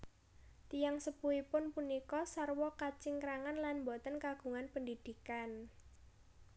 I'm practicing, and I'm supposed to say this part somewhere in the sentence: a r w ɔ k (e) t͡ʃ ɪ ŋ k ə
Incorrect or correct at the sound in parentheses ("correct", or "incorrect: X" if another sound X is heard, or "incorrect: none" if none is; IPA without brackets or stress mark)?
incorrect: a